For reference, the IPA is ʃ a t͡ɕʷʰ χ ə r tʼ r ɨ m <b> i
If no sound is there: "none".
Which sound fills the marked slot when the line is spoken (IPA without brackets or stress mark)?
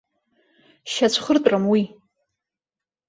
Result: w